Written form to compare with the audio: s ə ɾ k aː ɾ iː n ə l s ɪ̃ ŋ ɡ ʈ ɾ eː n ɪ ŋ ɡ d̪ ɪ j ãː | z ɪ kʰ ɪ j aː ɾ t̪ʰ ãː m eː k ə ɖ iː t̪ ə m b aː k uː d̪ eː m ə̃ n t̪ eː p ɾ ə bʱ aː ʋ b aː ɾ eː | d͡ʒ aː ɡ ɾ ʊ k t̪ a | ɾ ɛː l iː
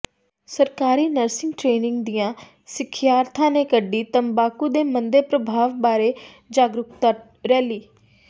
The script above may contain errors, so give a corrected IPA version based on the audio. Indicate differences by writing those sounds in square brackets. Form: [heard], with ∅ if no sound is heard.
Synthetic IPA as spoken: s ə ɾ k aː ɾ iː n ə [ɾ] s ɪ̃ ŋ ɡ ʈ ɾ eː n ɪ ŋ ɡ d̪ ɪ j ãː | [s] ɪ kʰ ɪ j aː ɾ t̪ʰ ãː [n] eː k ə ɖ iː t̪ ə m b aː k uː d̪ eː m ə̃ n [d̪] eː p ɾ ə bʱ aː ʋ b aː ɾ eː | d͡ʒ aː ɡ ɾ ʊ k t̪ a | ɾ ɛː l iː